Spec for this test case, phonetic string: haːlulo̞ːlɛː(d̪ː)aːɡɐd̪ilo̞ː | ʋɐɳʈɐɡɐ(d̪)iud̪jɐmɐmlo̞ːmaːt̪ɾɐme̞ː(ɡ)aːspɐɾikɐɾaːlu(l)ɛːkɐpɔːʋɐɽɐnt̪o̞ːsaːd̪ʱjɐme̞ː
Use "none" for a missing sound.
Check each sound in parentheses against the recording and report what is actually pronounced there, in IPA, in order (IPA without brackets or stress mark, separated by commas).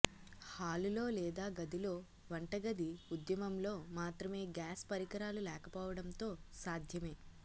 d̪, d̪, ɡ, l